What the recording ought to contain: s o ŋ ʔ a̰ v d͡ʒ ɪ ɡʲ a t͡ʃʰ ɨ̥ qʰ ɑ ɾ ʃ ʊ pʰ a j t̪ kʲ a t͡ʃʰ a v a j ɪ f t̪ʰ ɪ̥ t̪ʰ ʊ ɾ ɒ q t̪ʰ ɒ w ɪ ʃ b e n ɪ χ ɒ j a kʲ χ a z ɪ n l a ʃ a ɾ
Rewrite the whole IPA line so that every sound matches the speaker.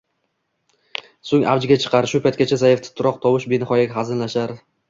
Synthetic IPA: s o ŋ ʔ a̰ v d͡ʒ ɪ ɡʲ a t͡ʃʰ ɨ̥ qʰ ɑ ɾ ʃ ʊ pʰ a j t̪ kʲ a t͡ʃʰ a z a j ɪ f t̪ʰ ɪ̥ t̪ʰ ʊ ɾ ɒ q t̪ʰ ɒ w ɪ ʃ b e n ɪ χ ɒ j a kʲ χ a z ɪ n l a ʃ a ɾ